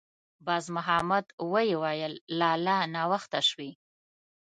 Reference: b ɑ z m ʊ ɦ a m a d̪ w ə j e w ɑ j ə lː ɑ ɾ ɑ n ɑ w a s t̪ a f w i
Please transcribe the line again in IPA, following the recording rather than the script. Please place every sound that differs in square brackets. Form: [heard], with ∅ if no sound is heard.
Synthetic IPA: b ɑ z m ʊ ɦ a m a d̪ w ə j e w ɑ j ə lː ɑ [l] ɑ n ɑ w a [x] t̪ a [ʃ] w i